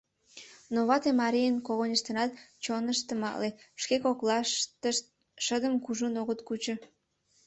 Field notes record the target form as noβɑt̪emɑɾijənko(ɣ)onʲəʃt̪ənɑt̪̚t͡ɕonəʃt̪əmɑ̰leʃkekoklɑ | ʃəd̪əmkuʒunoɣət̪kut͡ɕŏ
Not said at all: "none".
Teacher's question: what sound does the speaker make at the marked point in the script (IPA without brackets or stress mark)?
ɣ